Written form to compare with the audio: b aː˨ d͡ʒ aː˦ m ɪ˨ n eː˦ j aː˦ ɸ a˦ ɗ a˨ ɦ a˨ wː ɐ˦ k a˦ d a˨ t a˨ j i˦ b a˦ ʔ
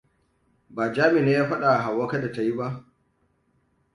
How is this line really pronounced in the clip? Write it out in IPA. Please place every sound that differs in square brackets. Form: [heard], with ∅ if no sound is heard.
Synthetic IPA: b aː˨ d͡ʒ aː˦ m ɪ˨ n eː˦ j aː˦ ɸ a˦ ɗ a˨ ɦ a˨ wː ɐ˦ k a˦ d a˨ t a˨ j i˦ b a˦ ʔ